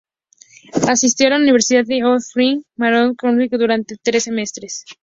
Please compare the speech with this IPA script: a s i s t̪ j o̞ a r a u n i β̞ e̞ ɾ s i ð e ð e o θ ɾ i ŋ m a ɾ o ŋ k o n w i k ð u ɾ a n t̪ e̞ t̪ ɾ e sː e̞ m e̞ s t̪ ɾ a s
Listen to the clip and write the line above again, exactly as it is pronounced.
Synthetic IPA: a s i s t̪ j o̞ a l a u n i β̞ e̞ ɾ s i ð a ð e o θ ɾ i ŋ m a ɾ o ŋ k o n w i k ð u ɾ a n t̪ e̞ t̪ ɾ e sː e̞ m e̞ s t̪ ɾ e s